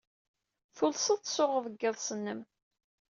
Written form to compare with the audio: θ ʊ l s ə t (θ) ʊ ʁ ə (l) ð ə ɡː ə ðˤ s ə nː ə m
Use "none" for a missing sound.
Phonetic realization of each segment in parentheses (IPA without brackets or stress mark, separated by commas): s, none